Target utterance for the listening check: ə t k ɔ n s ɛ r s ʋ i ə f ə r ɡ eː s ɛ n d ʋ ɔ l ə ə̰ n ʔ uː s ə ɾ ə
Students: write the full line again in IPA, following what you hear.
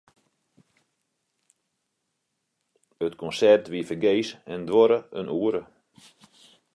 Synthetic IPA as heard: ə t k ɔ n s ɛ r t ʋ i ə f ə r ɡ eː s ɛ n d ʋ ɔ ɾ ə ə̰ n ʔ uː ə ɾ ə